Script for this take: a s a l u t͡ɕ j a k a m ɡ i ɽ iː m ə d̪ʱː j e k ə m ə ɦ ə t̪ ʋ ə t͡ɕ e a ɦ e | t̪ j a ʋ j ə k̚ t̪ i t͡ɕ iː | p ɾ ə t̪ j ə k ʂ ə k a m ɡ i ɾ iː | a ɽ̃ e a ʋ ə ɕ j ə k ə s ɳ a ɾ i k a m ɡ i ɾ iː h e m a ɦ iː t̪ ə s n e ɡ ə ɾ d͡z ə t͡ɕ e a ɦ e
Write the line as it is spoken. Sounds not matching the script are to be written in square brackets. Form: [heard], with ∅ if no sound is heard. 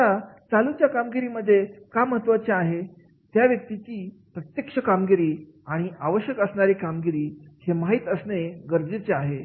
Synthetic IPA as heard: a [t͡s] a l u t͡ɕ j a k a m ɡ i [ɾ] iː m ə d̪ʱː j e k [a] m ə ɦ ə t̪ ʋ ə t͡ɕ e a ɦ e | t̪ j a ʋ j ə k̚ t̪ i t͡ɕ iː | p ɾ ə t̪ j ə k ʂ ə k a m ɡ i ɾ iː | a ɽ̃ [i] a ʋ ə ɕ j ə k ə s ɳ a ɾ i k a m ɡ i ɾ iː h e m a ɦ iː t̪ ə s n e ɡ ə ɾ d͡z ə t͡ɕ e a ɦ e